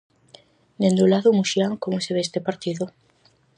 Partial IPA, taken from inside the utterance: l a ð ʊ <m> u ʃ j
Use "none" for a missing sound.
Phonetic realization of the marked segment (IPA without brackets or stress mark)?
m